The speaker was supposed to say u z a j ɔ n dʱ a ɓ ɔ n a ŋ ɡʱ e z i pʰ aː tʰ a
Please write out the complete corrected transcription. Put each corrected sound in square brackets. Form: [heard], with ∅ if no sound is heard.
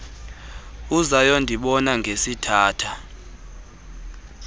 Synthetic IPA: u z a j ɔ n dʱ [i] ɓ ɔ n a ŋ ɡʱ e [s] i [tʰ] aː tʰ a